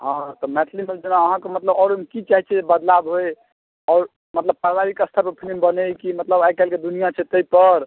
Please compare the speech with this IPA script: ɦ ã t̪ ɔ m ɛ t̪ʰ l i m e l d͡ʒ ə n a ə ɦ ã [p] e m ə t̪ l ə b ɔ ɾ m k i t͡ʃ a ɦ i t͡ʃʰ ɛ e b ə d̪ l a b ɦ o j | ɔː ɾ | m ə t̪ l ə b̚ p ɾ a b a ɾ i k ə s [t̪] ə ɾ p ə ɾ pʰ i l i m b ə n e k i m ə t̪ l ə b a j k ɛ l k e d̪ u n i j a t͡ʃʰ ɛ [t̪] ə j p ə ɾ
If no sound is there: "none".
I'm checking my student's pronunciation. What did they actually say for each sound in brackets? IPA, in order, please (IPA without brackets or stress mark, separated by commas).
k, t̪ʰ, t̪